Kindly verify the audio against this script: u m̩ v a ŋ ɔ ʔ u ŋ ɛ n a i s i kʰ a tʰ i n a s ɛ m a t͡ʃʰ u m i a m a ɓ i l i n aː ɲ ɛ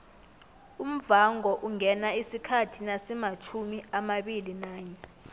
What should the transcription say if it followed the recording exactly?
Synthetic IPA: u m̩ v a ŋ ɔ ʔ u ŋ ɛ n a i s i kʰ a tʰ i n a s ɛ m a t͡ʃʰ u m i a m a ɓ i l i n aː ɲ ɛ